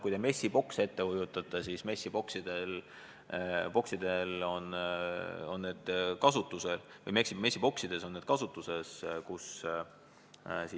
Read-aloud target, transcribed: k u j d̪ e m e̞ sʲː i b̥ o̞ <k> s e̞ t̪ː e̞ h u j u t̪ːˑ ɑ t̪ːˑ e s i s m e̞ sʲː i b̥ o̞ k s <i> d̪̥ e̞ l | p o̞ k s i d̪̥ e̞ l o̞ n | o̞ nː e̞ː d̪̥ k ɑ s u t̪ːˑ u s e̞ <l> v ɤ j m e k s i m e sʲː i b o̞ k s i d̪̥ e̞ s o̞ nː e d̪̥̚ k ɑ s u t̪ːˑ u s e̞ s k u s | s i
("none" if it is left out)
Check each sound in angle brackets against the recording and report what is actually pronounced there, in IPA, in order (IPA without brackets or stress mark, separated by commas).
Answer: k, i, l